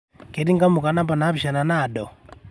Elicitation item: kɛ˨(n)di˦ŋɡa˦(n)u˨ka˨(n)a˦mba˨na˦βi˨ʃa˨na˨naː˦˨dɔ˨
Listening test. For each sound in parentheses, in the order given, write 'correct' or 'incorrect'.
incorrect, incorrect, correct

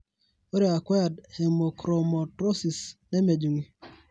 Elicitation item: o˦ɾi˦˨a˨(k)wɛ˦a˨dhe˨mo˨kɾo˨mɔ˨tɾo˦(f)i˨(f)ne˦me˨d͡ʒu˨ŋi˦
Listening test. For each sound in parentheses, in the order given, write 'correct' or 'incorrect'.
correct, incorrect, incorrect

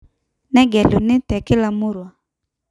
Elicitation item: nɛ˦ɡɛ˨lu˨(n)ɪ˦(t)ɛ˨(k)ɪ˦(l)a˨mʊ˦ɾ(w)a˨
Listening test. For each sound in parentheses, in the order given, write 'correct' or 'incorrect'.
correct, correct, correct, correct, correct

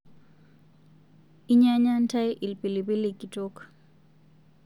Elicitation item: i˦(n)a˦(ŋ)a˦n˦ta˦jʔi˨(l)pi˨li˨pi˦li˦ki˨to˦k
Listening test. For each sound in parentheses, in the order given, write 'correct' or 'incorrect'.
incorrect, incorrect, correct

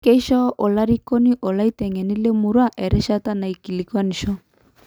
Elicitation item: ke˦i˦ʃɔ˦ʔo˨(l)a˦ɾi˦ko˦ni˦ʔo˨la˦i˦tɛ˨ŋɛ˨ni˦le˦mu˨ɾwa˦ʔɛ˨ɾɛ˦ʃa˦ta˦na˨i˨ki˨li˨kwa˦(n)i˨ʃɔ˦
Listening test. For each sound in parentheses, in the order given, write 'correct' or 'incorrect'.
correct, correct

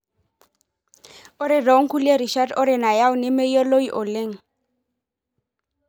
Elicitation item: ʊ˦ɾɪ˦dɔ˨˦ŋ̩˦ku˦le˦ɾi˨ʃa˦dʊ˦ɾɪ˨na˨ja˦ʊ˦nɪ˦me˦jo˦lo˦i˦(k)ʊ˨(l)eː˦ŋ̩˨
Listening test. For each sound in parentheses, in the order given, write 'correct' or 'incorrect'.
incorrect, correct

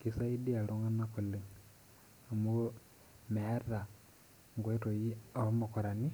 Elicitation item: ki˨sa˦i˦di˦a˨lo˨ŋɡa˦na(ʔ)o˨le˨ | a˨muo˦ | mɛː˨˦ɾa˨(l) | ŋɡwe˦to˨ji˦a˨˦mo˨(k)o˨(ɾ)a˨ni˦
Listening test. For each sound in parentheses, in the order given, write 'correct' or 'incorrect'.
incorrect, incorrect, correct, correct

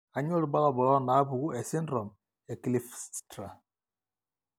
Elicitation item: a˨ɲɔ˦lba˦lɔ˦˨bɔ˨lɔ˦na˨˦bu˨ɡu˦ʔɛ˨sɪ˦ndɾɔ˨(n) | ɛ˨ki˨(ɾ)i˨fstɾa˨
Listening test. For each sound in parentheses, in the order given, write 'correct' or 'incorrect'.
incorrect, incorrect

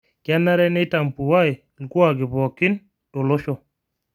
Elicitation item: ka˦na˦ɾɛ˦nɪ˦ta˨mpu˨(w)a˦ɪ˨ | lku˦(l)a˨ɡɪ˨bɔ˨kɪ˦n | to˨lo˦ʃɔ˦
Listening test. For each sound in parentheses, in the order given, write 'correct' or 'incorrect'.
correct, incorrect

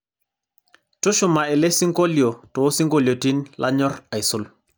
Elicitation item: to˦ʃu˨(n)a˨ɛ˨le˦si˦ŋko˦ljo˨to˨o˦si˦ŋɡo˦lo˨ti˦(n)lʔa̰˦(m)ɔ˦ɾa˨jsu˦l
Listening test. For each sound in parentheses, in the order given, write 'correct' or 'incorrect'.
incorrect, correct, incorrect

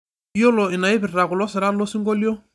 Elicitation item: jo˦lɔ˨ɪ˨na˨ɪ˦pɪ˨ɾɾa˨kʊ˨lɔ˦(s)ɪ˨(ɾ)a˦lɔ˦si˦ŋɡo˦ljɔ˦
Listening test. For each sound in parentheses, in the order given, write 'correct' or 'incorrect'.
correct, correct

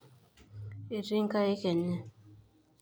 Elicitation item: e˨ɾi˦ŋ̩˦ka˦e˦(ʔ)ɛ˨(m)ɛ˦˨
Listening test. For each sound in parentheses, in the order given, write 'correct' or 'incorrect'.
incorrect, incorrect

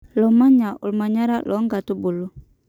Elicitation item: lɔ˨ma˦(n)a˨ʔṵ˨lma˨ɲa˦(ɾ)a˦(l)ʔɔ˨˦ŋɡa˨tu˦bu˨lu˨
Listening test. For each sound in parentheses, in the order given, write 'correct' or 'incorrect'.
incorrect, correct, correct

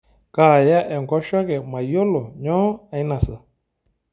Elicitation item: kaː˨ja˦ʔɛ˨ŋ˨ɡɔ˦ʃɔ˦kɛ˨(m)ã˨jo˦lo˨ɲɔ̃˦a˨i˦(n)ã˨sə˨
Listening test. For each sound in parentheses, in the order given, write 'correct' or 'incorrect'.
correct, correct

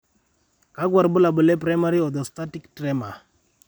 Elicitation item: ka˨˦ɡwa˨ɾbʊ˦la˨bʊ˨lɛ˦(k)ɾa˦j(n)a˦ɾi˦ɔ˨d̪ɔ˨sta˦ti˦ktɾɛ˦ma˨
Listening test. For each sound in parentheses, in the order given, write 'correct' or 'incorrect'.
incorrect, incorrect

